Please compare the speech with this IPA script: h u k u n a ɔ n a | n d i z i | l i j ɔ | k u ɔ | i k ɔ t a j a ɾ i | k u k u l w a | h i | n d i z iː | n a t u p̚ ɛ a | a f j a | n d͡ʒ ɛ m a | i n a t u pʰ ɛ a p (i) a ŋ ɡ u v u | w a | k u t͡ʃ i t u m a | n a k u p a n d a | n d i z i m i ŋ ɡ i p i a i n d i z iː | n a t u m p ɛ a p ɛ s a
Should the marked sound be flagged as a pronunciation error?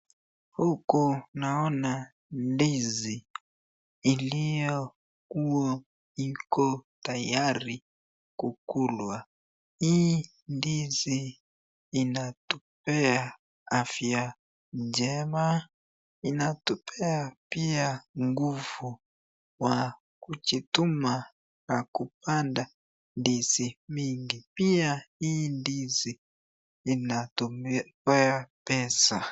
no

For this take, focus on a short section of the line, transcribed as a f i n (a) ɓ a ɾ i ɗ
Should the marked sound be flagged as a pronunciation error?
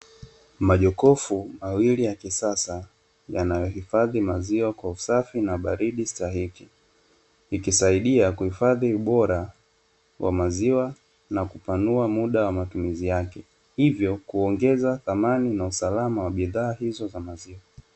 no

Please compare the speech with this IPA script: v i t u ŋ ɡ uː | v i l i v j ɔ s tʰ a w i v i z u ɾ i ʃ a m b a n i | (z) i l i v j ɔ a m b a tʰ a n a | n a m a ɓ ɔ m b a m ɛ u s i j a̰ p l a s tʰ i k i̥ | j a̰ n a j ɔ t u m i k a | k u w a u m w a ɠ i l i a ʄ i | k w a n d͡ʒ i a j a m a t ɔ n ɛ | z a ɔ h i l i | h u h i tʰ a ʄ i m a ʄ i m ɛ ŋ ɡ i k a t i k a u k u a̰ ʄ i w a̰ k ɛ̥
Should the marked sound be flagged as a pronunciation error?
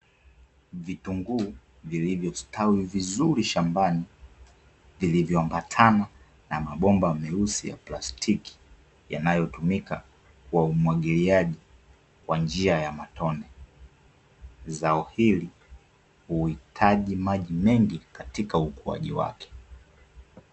yes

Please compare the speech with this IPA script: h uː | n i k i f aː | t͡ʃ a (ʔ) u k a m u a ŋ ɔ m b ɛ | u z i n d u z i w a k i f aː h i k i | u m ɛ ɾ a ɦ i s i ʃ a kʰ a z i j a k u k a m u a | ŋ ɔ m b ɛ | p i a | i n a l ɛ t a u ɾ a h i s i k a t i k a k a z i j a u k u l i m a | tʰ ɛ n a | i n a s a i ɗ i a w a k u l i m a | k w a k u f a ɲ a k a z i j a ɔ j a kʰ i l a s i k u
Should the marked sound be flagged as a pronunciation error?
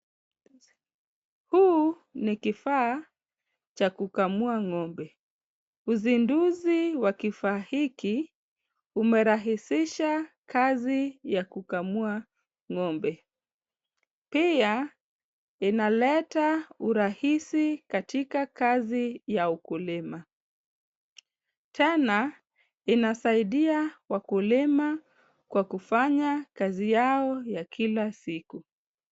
yes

